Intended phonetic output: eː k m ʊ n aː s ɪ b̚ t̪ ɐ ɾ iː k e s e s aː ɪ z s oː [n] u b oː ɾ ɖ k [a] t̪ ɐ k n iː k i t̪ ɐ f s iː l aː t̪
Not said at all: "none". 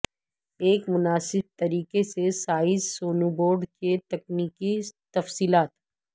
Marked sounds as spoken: n, e

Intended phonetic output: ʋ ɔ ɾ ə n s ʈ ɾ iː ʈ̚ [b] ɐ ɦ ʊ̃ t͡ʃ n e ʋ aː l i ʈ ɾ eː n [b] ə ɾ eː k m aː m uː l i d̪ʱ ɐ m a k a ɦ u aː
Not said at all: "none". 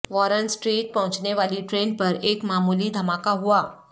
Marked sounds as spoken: p, p

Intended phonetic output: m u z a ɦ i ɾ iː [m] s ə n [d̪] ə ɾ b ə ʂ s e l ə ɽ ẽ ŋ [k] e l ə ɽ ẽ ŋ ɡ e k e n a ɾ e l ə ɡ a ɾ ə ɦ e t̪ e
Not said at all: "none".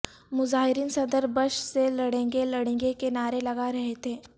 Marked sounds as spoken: n, d̪, ɡ

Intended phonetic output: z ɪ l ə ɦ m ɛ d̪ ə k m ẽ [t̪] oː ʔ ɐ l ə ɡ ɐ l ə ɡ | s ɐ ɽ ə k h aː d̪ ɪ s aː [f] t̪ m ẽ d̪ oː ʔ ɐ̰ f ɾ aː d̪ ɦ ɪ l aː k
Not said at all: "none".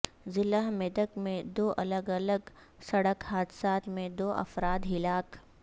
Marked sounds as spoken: d̪, none

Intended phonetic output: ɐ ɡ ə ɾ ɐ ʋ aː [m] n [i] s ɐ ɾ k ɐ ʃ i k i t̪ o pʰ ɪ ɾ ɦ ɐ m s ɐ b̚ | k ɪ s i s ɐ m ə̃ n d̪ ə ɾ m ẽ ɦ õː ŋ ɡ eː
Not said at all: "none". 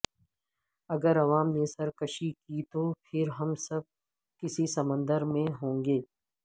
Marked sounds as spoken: m, e

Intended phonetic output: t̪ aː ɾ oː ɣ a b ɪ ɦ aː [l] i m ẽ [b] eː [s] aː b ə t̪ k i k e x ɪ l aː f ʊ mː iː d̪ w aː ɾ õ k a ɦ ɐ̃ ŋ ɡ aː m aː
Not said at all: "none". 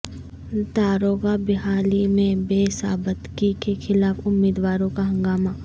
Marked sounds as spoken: l, b, s

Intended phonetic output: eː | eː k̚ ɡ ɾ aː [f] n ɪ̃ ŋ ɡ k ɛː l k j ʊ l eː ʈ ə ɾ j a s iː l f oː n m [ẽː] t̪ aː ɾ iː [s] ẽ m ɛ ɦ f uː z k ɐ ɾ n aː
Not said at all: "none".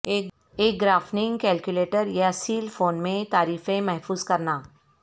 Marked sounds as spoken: f, ẽ, f

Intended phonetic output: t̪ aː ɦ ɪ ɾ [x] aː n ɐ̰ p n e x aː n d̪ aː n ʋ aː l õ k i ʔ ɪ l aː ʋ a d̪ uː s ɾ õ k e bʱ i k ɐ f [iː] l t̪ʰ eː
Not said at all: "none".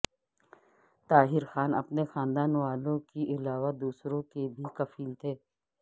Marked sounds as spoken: x, iː

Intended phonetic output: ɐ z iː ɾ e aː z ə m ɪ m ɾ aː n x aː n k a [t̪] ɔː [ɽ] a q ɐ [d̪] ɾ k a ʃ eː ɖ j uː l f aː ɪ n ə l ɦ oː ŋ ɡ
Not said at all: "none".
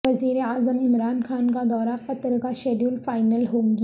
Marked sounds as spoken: d̪, ɾ, t̪

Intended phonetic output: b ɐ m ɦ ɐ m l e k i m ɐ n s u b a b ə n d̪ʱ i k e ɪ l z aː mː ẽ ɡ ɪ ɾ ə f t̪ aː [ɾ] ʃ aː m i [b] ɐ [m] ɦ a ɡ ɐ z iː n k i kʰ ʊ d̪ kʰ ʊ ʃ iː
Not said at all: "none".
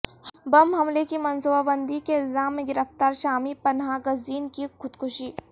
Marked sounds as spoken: ɾ, p, n

